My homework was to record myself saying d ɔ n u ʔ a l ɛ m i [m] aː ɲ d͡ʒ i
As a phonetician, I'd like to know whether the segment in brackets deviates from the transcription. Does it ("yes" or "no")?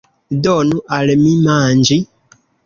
no